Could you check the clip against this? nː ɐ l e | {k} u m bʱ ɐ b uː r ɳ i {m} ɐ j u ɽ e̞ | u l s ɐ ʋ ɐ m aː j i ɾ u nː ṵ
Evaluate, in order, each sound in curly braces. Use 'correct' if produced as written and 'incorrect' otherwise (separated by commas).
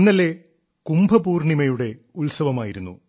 correct, correct